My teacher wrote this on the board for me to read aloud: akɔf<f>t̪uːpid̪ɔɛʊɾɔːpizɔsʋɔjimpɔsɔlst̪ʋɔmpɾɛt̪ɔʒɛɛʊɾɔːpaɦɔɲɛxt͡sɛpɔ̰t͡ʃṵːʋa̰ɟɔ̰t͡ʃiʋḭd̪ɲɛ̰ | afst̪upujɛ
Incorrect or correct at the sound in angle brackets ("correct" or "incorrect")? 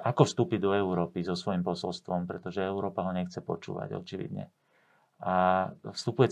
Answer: incorrect